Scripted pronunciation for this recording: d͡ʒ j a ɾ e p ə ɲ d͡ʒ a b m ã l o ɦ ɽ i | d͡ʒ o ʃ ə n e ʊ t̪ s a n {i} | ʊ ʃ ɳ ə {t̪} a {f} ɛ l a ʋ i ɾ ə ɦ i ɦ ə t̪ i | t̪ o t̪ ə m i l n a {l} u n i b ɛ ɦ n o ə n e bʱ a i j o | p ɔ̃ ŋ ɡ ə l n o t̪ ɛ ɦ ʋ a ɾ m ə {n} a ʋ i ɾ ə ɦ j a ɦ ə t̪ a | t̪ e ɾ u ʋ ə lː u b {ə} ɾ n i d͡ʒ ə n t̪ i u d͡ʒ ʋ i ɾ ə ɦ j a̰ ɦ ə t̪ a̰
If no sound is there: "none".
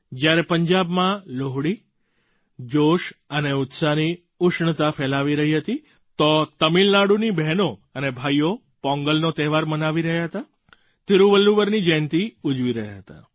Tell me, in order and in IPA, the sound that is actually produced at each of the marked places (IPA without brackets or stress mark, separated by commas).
i, t̪, f, ɽ, n, ə